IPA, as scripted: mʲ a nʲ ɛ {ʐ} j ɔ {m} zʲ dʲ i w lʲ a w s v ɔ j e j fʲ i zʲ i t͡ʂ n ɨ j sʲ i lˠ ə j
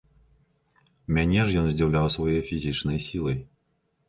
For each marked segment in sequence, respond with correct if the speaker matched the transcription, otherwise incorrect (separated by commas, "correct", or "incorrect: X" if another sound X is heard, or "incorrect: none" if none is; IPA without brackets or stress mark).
correct, incorrect: n